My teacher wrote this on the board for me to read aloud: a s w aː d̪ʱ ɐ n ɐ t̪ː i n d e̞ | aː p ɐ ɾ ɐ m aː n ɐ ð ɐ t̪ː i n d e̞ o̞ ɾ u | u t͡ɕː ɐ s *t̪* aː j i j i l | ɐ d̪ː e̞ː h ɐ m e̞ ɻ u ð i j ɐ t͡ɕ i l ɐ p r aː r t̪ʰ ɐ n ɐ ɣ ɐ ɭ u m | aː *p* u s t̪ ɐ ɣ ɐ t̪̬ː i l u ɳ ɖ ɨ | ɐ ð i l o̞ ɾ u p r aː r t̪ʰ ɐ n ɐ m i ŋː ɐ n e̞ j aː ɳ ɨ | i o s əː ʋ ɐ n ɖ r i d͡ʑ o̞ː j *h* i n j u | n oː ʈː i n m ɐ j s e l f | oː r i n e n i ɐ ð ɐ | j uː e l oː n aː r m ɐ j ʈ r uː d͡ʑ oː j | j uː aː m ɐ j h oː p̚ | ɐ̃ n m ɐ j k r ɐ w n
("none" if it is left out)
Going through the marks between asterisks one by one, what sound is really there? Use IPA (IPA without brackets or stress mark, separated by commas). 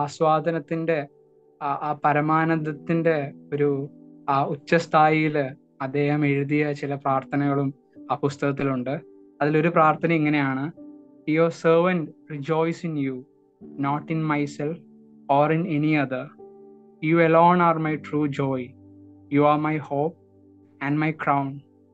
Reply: t̪ʰ, p, s